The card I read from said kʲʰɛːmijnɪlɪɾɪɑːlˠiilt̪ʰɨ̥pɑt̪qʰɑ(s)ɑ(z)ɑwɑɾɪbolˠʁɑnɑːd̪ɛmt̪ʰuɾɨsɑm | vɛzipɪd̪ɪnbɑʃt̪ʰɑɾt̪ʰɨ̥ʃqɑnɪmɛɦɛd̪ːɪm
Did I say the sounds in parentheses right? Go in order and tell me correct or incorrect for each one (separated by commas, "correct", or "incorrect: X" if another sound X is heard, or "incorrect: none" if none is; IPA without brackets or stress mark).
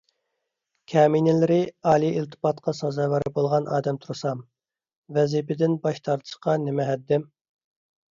correct, correct